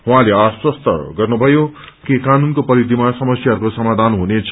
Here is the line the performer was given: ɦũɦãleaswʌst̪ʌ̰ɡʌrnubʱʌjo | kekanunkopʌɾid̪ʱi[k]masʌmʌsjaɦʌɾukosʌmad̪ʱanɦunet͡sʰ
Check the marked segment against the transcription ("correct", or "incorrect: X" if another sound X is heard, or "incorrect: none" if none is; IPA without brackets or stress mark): incorrect: none